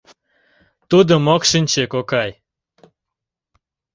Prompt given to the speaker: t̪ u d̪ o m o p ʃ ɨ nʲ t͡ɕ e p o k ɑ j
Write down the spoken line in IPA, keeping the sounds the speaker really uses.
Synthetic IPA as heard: t̪ u d̪ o m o k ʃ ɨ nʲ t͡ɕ e k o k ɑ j